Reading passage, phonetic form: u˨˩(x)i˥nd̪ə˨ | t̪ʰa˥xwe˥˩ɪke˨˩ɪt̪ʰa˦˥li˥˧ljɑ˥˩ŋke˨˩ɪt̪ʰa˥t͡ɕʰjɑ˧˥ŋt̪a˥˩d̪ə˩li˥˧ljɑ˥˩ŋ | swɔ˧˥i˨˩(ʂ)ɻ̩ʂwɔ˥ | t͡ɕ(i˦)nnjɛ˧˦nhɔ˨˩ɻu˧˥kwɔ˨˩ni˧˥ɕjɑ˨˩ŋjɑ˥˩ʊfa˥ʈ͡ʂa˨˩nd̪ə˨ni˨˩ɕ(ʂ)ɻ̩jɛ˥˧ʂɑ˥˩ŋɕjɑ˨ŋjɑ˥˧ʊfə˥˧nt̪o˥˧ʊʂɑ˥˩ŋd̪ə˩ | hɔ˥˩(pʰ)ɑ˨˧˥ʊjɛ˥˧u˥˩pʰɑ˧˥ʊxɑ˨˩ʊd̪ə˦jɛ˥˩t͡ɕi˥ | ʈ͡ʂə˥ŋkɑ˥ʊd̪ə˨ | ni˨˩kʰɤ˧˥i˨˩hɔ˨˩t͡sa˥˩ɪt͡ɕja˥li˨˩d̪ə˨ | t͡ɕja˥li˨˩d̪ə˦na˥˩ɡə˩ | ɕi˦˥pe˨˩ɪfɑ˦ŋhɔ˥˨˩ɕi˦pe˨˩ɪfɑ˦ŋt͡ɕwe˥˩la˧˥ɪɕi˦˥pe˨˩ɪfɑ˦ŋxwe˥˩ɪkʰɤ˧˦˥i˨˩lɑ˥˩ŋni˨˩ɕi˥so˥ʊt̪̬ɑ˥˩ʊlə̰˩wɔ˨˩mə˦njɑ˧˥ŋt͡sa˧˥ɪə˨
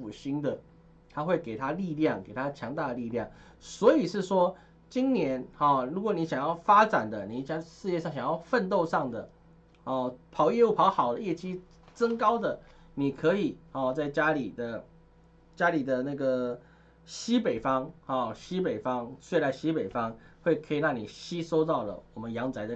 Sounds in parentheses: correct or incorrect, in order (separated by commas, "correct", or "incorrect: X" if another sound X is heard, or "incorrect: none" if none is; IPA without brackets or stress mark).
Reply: incorrect: ɕ, correct, correct, correct, correct